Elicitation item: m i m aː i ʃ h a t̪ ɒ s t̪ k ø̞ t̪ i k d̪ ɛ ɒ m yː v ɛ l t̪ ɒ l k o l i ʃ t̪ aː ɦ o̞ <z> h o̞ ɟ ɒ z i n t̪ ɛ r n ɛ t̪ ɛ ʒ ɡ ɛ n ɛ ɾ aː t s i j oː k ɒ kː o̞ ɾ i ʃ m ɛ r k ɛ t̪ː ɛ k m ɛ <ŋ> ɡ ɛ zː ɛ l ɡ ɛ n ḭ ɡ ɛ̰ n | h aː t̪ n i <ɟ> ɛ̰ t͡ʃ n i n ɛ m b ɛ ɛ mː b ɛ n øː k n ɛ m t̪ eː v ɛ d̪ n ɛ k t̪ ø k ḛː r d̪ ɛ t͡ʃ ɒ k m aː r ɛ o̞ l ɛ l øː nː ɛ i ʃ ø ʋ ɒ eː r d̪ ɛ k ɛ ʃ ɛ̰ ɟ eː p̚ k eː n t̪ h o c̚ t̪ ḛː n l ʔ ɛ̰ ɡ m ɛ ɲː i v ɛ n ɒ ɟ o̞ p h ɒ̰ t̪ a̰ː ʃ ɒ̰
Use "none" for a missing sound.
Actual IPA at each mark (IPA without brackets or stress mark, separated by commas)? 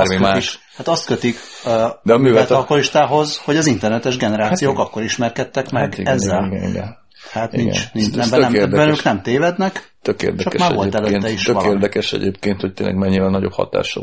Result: z, ɡ, ɡ